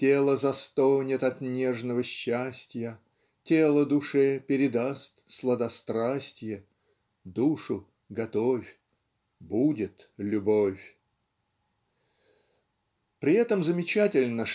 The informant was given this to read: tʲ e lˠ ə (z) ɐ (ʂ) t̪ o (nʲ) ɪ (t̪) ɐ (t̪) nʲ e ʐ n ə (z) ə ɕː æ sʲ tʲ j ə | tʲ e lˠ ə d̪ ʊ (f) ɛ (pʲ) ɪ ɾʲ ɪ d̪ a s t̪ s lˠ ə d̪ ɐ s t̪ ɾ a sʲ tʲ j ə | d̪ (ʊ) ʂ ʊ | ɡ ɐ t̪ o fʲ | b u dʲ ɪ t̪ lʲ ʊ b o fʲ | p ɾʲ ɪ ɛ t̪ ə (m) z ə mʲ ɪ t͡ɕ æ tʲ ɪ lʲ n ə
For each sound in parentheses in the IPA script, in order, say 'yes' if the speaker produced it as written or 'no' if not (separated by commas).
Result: yes, no, yes, yes, yes, no, no, yes, no, yes